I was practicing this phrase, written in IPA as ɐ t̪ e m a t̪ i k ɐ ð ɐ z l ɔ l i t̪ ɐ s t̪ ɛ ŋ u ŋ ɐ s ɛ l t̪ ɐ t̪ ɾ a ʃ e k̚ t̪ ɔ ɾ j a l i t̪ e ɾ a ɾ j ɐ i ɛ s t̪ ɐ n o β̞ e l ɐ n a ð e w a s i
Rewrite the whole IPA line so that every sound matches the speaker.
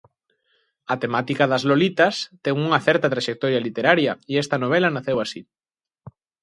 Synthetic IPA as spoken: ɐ t̪ e m a t̪ i k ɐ ð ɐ z l o l i t̪ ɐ s t̪ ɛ ŋ u ŋ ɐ θ ɛ ɾ t̪ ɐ t̪ ɾ a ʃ e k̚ t̪ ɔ ɾ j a l i t̪ e ɾ a ɾ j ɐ i ɛ s t̪ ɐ n o β̞ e l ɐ n a θ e w a s i